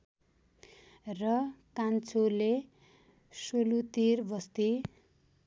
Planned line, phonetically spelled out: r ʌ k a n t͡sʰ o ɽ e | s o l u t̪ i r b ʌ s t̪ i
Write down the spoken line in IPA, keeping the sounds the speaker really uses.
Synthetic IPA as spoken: r ʌ k a n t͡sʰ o l e | s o l u t̪ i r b ʌ s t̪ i